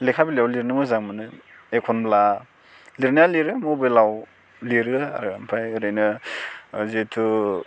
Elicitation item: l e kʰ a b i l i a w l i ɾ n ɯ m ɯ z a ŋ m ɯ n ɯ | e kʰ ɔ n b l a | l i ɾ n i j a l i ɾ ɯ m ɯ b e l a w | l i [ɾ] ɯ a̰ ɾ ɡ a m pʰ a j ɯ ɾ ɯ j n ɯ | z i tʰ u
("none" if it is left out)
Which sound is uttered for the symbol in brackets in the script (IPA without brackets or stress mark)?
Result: ɾ